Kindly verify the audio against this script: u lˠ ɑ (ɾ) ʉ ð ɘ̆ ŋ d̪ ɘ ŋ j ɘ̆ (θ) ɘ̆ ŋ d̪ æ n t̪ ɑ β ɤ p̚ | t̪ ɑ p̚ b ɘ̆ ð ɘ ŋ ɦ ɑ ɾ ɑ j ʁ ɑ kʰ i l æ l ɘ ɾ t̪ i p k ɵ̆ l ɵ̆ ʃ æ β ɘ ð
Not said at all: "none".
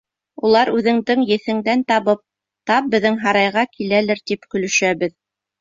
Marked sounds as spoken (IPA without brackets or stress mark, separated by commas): ɾ, θ